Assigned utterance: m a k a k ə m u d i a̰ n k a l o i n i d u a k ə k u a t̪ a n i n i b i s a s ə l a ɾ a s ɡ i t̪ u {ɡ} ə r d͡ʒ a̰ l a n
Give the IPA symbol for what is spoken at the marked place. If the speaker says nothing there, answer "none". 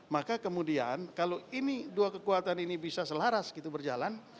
b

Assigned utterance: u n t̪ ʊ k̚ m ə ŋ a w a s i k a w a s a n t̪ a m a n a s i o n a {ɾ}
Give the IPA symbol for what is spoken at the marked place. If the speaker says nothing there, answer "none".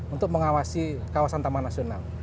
l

